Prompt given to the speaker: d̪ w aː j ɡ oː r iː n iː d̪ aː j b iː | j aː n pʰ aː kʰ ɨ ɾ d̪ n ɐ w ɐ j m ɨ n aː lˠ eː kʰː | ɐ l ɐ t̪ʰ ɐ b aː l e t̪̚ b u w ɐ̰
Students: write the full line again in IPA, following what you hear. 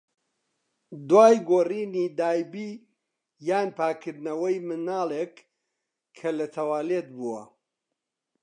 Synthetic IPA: d̪ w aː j ɡ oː r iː n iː d̪ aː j b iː | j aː n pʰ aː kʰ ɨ ɾ d̪ n ɐ w ɐ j m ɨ n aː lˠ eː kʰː | ɐ l ɐ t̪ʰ ɐ w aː l e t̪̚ b u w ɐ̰